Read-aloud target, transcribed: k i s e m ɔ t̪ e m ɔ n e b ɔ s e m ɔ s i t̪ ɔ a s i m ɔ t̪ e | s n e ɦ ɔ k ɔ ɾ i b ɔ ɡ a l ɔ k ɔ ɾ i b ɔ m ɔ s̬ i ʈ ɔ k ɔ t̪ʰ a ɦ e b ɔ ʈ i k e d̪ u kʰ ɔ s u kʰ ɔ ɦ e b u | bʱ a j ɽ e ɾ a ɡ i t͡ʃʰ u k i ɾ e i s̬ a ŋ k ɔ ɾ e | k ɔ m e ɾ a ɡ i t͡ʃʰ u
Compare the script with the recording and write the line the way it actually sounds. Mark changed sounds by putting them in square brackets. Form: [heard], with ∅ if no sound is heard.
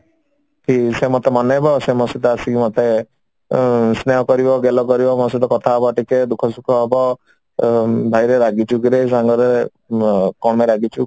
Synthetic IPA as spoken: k i s e m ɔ t̪ e m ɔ n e b ɔ s e m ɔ s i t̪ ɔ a s i m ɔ t̪ e | s n e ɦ ɔ k ɔ ɾ i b ɔ ɡ [e] l ɔ k ɔ ɾ i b ɔ m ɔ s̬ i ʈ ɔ k ɔ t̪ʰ a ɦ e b ɔ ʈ i k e d̪ u kʰ ɔ s u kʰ ɔ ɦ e b [ɔ] | bʱ a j [ɾ] e ɾ a ɡ i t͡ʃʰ u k i ɾ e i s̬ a ŋ [ɡ] ɔ ɾ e | k ɔ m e ɾ a ɡ i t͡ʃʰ u

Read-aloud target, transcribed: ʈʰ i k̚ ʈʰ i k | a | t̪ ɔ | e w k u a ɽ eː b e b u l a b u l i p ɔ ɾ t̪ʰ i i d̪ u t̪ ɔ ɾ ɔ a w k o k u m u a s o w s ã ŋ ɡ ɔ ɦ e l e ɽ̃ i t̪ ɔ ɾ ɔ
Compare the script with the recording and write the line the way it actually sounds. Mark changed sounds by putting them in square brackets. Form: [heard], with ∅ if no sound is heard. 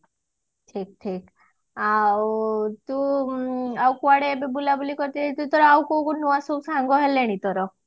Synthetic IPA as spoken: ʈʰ i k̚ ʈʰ i k | a | t̪ [u] | [a] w k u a ɽ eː b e b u l a b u l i [k] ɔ ɾ [t̪] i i [t̪] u t̪ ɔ ɾ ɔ a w k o k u [n] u a s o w s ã ŋ ɡ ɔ ɦ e l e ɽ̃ i t̪ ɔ ɾ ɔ

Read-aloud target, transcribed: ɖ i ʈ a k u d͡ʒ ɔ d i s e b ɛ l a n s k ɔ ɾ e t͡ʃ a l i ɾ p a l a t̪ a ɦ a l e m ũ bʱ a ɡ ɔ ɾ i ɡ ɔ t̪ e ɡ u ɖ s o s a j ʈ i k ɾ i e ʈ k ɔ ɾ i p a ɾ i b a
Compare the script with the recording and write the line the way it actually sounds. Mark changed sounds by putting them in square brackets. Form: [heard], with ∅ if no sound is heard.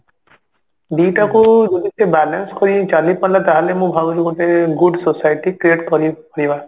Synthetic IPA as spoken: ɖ i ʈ a k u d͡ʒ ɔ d i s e b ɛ l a n s k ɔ ɾ [i] t͡ʃ a l i [∅] p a l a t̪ a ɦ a l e m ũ bʱ a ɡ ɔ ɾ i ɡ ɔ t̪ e ɡ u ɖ s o s a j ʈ i k ɾ i e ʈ k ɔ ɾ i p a ɾ i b a

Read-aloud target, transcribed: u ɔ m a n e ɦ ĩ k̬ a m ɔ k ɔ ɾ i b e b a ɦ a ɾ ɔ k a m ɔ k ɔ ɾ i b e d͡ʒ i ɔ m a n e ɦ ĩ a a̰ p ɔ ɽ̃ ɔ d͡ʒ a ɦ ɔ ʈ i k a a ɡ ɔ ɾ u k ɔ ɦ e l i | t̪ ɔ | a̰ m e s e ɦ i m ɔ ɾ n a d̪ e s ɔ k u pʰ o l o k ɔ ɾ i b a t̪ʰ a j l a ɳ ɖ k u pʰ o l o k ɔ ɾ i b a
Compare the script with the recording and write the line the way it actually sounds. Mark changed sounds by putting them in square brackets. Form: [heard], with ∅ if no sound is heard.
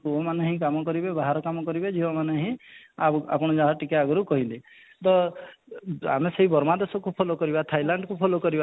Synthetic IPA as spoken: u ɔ m a n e ɦ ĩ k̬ a m ɔ k ɔ ɾ i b e b a ɦ a ɾ ɔ k a m ɔ k ɔ ɾ i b e d͡ʒ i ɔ m a n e ɦ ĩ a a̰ p ɔ ɽ̃ ɔ d͡ʒ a ɦ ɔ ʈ i k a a ɡ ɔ ɾ u k ɔ ɦ [i] l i | t̪ ɔ | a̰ m e s e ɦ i [b] ɔ ɾ [m] a d̪ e s ɔ k u pʰ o l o k ɔ ɾ i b a t̪ʰ a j l a ɳ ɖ k u pʰ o l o k ɔ ɾ i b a

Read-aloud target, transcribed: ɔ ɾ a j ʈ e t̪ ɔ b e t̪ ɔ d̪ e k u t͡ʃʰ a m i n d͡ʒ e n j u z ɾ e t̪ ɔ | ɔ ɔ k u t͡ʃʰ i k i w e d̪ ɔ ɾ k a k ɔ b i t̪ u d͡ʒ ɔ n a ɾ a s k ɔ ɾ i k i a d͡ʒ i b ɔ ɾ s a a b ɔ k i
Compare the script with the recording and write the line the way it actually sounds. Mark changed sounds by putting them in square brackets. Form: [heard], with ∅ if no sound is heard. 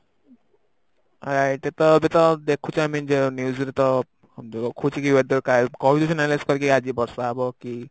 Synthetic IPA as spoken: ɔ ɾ a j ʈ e t̪ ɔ b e t̪ ɔ d̪ e [kʰ] u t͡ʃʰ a m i n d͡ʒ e n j u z ɾ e t̪ ɔ | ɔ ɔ [kʰ] u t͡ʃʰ i k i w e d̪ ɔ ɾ k a k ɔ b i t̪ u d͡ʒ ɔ n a [l] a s k ɔ ɾ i k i a d͡ʒ i b ɔ ɾ s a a b ɔ k i

